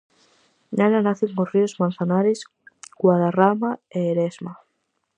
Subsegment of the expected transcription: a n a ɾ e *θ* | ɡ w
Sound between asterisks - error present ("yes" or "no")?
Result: yes